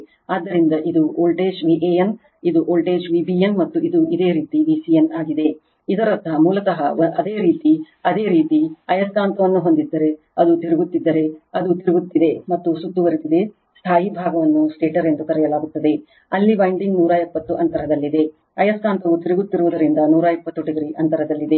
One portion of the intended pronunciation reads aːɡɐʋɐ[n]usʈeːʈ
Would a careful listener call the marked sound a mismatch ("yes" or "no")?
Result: yes